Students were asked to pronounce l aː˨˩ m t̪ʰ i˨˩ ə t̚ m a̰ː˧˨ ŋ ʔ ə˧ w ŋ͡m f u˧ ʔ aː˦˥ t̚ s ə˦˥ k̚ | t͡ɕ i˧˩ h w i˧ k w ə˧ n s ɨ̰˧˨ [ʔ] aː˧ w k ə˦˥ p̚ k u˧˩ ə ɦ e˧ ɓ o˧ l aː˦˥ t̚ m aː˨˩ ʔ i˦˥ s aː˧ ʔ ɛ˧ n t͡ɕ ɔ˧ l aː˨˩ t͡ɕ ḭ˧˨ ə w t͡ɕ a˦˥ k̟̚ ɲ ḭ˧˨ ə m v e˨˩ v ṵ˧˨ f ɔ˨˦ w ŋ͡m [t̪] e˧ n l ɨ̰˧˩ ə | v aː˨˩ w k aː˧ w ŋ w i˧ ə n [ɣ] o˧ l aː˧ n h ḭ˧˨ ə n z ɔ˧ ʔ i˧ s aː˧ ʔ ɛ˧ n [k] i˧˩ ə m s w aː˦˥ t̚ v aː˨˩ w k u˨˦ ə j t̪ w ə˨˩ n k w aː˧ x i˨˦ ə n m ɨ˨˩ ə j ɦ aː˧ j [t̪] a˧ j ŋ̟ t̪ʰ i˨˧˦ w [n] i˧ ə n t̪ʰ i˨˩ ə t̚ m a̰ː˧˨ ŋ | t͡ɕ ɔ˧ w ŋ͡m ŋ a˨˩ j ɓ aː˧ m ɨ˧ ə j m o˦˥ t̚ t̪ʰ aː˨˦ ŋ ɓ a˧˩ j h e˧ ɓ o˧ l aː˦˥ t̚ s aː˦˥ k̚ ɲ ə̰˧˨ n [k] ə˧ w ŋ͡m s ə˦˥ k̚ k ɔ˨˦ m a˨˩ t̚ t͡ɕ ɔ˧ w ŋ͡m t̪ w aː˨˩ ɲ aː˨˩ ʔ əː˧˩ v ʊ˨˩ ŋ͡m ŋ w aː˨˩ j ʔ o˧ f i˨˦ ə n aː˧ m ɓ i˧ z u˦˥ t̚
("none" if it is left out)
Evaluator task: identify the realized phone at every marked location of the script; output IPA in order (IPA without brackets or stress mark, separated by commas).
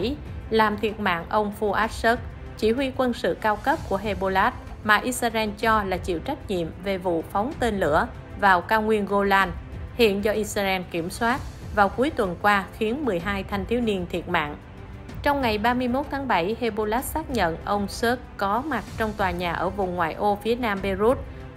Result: k, t̪, ɣ, k, t̪ʰ, n, ʔ